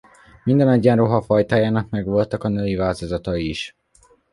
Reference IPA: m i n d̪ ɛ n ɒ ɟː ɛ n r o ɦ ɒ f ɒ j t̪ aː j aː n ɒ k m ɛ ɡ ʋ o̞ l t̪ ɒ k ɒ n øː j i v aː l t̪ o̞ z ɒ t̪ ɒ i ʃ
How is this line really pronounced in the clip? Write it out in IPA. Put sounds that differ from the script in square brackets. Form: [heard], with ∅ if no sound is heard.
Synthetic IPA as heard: m i n d̪ ɛ n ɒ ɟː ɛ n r o ɦ ɒ f ɒ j t̪ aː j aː n ɒ k m ɛ ɡ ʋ o̞ l t̪ ɒ k ɒ n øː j i v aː l t̪ o̞ z ɒ t̪ ɒ i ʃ

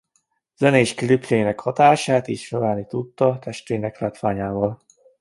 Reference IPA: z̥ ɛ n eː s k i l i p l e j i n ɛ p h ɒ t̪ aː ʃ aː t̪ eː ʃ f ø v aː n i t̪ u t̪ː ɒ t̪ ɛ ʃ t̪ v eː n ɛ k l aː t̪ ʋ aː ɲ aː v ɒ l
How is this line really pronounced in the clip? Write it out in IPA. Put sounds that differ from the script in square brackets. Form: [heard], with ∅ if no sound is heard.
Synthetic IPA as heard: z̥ ɛ n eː [ʃ] k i l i p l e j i n ɛ [k] h ɒ t̪ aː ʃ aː t̪ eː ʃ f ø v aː n i t̪ u t̪ː ɒ t̪ ɛ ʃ t̪ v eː n ɛ k l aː t̪ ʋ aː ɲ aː v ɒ l

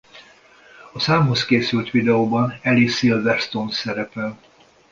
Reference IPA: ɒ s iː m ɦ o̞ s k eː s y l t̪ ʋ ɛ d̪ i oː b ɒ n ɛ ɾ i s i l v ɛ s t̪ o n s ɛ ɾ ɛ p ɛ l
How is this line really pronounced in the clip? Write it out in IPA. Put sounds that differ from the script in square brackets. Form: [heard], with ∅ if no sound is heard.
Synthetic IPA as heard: ɒ s [aː] m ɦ o̞ s k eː s y l t̪ ʋ [i] d̪ [ɛ] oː b ɒ n ɛ [l] i s i l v ɛ s t̪ o n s ɛ ɾ ɛ p ɛ l

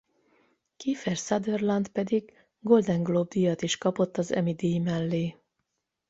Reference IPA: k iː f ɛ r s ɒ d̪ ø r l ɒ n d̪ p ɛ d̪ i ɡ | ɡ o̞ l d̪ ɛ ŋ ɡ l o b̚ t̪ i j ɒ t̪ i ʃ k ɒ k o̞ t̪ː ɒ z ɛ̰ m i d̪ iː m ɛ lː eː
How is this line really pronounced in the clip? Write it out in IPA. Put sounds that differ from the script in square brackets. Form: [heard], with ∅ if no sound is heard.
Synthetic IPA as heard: k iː f ɛ r s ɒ d̪ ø r l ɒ n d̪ p ɛ d̪ i ɡ | ɡ o̞ l d̪ ɛ ŋ ɡ l o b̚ [d̪] i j ɒ t̪ i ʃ k ɒ [p] o̞ t̪ː ɒ z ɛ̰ m i d̪ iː m ɛ lː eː

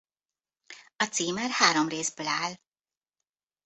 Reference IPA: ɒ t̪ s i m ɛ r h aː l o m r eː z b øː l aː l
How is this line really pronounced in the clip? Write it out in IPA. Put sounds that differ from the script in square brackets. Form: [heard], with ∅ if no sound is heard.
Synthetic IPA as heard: ɒ t̪ s [iː] m ɛ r h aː [ɾ] o m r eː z b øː l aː l

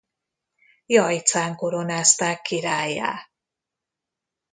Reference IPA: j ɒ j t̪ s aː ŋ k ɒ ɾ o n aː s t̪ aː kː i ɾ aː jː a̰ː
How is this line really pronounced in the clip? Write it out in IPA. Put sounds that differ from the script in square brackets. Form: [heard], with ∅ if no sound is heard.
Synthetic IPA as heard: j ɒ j t̪ s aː ŋ k [o] ɾ o n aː s t̪ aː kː i ɾ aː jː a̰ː

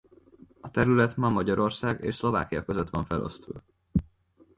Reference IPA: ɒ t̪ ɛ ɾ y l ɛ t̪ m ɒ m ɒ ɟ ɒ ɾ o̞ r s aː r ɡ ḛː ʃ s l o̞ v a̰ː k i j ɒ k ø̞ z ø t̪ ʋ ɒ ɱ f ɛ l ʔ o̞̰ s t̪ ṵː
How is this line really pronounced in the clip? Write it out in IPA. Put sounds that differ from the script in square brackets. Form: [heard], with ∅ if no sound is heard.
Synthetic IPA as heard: ɒ t̪ ɛ ɾ y l ɛ t̪ m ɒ m ɒ ɟ ɒ ɾ o̞ r s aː [∅] ɡ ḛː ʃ s l o̞ v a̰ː k i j ɒ k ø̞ z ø t̪ ʋ ɒ ɱ f ɛ l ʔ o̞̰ s t̪ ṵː

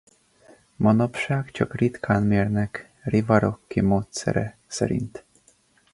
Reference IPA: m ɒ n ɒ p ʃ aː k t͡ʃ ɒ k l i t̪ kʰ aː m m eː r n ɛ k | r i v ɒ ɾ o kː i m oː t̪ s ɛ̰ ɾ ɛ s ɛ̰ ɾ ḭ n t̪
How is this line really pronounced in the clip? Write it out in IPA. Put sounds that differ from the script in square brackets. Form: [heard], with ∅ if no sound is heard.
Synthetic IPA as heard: m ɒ n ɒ p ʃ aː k t͡ʃ ɒ k [r] i t̪ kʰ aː [n] m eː r n ɛ k | r i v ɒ ɾ o kː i m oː t̪ s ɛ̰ ɾ ɛ s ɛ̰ ɾ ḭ n t̪

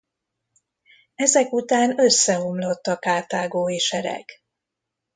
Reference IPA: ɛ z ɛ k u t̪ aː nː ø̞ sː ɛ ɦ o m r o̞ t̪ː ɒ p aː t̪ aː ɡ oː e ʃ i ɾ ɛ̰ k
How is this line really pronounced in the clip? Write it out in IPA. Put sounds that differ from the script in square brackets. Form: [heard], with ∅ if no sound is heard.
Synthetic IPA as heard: ɛ z ɛ k u t̪ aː [n] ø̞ sː ɛ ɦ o m [l] o̞ t̪ː ɒ [k] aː t̪ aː ɡ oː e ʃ [ɛ] ɾ ɛ̰ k

